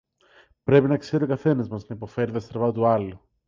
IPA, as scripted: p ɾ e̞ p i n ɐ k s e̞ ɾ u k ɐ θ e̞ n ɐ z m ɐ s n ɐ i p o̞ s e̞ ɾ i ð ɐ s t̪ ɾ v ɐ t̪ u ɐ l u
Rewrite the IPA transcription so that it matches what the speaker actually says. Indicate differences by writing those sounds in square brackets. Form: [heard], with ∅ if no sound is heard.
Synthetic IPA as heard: p ɾ e̞ p i n ɐ k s e̞ ɾ [o] k ɐ θ e̞ n ɐ z m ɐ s n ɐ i p o̞ [f] e̞ ɾ i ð ɐ s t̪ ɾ v ɐ t̪ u ɐ l u